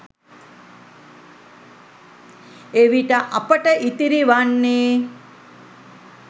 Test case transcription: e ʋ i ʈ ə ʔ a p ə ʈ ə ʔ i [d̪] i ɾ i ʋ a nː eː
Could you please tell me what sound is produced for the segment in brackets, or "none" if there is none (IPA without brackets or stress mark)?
t̪